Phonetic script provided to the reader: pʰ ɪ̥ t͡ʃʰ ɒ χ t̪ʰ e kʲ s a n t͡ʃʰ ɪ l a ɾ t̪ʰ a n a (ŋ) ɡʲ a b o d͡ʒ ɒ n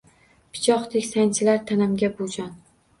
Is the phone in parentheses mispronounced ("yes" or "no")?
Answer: yes